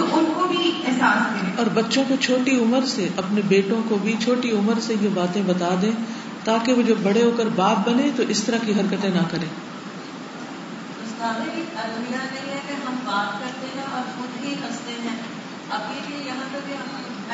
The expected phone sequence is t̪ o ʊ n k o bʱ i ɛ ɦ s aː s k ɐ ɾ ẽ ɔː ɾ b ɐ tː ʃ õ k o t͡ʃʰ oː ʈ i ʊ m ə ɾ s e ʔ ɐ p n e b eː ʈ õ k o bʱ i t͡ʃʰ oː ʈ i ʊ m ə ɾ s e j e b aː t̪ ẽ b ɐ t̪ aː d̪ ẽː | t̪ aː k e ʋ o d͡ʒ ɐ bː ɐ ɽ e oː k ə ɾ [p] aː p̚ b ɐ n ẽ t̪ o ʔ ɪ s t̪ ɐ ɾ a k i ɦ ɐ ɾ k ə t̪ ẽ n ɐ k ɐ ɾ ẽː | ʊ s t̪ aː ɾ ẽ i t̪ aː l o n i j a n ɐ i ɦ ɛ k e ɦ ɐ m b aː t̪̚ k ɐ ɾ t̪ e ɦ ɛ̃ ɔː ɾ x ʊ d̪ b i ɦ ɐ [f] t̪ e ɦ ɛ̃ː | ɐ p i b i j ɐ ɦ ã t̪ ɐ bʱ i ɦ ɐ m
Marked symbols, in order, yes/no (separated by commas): no, no